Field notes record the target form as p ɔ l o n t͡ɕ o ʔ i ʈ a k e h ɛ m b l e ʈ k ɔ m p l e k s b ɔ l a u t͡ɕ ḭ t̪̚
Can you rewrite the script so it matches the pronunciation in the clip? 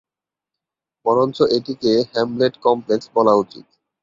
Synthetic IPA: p ɔ ɾ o n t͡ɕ o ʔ e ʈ i k e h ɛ m b l e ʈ k ɔ m p l e k s b ɔ l a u t͡ɕ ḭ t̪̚